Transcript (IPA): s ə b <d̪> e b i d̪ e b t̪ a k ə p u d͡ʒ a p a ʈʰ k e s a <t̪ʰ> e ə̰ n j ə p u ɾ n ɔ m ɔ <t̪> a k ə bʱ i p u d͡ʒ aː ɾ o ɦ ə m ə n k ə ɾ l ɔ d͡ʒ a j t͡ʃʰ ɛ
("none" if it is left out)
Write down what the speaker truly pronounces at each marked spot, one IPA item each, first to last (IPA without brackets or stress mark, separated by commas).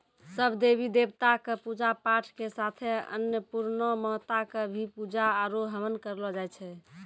d̪, t̪ʰ, t̪